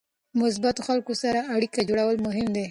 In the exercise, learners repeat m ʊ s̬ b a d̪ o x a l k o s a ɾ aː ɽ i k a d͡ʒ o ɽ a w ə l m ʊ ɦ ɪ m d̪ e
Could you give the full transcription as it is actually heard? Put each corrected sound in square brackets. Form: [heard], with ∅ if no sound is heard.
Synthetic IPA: m ʊ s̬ b a [t̪] o x a l k o s a ɾ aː ɽ i k a d͡ʒ o ɽ a w ə l m ʊ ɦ ɪ m d̪ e